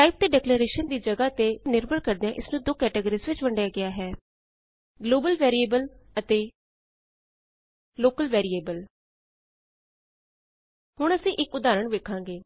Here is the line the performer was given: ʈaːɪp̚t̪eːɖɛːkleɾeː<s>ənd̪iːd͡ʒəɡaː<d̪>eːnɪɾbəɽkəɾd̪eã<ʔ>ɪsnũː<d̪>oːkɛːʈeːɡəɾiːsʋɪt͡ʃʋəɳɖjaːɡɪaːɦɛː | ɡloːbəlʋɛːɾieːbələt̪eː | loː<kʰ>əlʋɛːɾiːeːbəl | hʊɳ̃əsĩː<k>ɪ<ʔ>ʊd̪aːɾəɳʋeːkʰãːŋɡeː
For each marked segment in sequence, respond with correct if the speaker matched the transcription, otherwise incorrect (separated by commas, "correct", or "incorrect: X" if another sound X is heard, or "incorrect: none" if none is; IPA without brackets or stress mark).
incorrect: ʃ, incorrect: t̪, correct, correct, incorrect: k, incorrect: ʔ, incorrect: k